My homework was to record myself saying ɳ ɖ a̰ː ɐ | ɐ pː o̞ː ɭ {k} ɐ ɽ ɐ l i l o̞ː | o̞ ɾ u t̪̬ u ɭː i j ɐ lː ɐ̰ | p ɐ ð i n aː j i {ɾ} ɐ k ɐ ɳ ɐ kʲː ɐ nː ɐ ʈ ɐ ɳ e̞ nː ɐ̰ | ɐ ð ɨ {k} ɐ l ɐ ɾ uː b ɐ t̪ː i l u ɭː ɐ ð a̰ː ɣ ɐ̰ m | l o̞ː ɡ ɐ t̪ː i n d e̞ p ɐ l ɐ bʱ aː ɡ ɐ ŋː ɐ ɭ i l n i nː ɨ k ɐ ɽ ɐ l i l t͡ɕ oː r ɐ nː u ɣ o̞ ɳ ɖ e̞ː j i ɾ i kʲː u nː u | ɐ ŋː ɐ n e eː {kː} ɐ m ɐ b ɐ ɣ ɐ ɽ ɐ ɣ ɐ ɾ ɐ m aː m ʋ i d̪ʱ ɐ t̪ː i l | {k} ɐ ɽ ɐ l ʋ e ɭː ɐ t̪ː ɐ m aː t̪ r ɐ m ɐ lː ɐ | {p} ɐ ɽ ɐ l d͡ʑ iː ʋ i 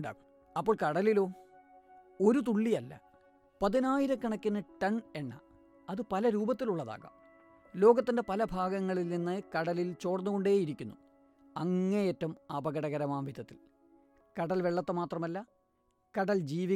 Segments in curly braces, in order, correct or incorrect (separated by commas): correct, correct, incorrect, incorrect, correct, incorrect